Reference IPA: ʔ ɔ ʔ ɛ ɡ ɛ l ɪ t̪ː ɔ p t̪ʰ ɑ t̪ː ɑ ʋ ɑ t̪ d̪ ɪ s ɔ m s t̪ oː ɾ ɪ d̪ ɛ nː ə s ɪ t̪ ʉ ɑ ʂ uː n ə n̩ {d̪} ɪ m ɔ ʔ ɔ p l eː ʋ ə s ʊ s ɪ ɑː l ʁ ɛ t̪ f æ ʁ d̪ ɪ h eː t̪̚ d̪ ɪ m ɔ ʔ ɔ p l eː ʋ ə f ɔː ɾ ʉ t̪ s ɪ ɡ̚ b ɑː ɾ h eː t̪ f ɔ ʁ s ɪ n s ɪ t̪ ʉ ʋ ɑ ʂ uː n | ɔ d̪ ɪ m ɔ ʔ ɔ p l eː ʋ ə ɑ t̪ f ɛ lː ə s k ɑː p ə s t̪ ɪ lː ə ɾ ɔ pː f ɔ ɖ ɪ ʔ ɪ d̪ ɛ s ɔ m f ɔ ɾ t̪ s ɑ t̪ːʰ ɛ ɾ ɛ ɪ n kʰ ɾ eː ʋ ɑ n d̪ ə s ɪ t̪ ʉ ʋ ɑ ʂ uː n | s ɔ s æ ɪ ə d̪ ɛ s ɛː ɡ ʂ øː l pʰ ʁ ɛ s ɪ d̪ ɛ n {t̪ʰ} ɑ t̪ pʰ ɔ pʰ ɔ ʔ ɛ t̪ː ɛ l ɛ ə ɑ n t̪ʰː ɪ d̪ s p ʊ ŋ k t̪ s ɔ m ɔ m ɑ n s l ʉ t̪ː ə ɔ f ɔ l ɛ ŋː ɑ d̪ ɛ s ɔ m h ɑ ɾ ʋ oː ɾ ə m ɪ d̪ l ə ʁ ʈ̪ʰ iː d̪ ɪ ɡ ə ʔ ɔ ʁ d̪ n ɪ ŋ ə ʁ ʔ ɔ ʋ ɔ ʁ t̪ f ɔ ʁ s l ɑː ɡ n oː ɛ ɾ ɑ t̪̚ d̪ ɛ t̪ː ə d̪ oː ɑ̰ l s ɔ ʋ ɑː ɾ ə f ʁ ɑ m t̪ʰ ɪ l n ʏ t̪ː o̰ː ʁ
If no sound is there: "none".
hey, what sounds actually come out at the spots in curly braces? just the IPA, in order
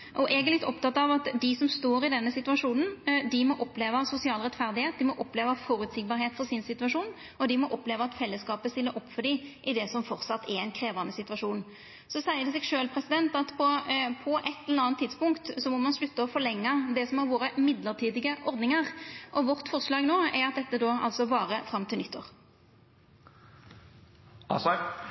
d̪, t̪

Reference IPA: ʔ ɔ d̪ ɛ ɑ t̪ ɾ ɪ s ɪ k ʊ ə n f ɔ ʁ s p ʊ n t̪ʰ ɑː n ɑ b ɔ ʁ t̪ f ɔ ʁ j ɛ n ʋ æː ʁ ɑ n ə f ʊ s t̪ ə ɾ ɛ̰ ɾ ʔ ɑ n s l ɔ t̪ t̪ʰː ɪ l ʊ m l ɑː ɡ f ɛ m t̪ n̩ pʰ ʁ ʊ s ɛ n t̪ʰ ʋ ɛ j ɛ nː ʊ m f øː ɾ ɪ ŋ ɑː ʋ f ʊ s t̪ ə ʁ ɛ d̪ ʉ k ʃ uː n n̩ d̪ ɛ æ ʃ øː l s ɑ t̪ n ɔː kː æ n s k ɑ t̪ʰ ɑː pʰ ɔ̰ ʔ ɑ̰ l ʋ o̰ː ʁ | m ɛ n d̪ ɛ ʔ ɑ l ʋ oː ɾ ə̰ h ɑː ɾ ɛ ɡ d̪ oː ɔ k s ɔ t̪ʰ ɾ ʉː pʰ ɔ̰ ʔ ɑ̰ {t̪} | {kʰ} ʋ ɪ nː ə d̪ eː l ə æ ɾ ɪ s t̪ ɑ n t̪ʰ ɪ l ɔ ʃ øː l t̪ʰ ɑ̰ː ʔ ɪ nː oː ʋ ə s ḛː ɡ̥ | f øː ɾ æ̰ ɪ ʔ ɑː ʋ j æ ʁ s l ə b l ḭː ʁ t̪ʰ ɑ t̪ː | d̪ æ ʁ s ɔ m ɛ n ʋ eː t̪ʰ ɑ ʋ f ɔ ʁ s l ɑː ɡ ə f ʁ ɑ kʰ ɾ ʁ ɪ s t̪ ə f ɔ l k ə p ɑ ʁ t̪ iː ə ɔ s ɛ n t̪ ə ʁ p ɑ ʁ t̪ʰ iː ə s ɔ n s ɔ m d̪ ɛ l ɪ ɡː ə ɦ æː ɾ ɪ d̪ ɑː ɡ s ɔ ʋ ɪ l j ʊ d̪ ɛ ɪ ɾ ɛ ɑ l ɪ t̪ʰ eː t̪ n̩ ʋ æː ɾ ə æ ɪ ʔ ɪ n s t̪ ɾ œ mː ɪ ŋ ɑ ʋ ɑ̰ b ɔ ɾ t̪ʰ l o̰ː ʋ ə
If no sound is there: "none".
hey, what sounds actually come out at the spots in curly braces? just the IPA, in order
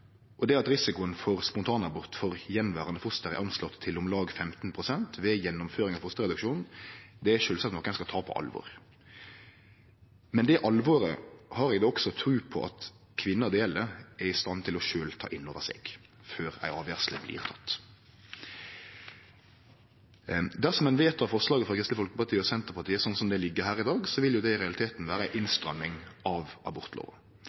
t̪, kʰ

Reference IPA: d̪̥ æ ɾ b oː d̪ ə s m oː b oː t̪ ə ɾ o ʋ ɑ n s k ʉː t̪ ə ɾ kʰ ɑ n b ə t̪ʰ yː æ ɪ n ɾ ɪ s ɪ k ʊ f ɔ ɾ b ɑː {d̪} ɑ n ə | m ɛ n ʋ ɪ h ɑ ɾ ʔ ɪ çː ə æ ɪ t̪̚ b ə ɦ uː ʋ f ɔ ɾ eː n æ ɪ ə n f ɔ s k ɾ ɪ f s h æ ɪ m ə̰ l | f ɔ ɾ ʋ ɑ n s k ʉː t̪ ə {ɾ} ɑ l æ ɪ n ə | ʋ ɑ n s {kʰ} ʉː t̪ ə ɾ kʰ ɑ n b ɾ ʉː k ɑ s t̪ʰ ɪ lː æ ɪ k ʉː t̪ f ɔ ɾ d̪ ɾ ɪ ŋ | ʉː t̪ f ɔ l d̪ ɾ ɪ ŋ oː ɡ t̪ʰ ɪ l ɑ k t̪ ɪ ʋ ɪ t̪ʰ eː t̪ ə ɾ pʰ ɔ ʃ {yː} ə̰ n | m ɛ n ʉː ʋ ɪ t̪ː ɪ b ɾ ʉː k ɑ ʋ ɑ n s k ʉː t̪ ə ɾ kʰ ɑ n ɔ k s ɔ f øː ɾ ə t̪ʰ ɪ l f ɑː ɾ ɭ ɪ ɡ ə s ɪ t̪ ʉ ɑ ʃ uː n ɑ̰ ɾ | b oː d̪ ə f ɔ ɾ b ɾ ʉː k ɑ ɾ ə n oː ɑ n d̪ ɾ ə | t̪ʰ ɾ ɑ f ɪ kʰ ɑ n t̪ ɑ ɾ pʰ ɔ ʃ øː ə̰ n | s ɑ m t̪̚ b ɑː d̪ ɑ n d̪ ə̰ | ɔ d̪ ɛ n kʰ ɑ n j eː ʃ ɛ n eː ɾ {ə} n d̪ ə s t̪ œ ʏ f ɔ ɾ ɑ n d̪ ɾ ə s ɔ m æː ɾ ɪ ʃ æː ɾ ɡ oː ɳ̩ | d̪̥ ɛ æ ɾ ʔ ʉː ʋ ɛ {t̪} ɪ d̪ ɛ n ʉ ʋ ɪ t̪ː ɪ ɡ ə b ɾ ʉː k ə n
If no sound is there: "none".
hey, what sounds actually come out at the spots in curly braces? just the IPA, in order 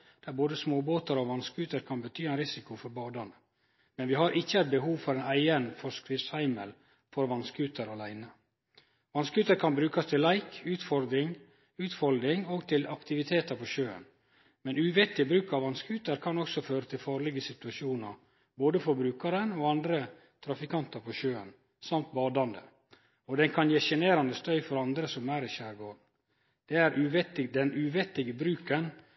d̪, ɾ, k, øː, ɑ, t̪

